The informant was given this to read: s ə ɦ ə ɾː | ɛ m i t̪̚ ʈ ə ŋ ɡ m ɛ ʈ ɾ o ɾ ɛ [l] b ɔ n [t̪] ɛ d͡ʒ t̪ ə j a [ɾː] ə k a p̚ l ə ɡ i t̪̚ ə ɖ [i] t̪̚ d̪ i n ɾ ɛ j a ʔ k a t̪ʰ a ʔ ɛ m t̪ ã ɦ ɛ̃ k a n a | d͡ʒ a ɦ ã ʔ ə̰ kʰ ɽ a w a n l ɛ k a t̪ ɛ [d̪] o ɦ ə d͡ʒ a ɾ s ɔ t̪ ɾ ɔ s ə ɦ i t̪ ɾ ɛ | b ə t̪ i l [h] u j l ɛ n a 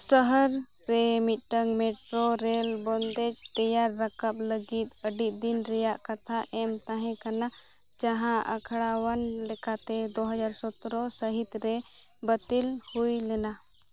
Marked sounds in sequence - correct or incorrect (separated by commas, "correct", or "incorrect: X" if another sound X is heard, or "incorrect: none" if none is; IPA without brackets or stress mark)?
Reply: correct, incorrect: d̪, correct, correct, correct, correct